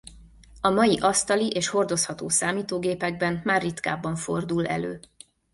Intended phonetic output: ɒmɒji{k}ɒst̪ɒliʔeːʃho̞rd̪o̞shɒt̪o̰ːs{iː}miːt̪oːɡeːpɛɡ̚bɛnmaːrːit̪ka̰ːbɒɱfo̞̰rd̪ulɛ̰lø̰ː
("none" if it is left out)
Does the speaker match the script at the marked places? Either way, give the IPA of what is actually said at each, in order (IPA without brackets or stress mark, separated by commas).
ʔ, aː